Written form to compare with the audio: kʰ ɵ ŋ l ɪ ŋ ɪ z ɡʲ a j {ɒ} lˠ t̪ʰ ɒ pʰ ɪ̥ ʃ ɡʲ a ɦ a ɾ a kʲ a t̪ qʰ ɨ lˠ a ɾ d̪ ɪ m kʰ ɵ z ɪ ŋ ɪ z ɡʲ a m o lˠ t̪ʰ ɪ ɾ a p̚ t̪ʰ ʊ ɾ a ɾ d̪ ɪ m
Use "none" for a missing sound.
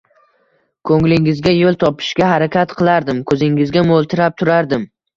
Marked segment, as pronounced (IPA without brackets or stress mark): o